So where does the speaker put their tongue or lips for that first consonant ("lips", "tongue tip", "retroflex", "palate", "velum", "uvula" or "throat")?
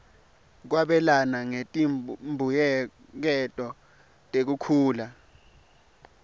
velum